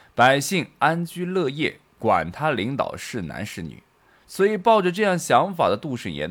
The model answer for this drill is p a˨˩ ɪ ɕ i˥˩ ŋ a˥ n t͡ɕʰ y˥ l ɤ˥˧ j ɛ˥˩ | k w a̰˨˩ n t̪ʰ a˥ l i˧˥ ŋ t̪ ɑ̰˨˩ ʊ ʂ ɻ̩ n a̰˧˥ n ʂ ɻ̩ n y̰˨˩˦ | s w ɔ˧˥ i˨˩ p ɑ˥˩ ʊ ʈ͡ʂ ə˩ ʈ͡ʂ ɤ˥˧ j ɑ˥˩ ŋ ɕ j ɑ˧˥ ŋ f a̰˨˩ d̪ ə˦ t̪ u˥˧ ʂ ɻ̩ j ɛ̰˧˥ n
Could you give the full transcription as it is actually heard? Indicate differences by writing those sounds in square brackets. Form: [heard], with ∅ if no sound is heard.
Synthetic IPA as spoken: p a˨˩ ɪ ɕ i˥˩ ŋ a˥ n [t͡ɕ] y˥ l ɤ˥˧ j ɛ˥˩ | k w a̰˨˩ n t̪ʰ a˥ l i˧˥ ŋ t̪ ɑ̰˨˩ ʊ ʂ ɻ̩ n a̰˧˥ n ʂ ɻ̩ n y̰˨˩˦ | s w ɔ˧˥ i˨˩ p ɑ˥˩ ʊ ʈ͡ʂ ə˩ ʈ͡ʂ ɤ˥˧ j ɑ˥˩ ŋ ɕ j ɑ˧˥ ŋ f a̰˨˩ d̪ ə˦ t̪ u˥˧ ʂ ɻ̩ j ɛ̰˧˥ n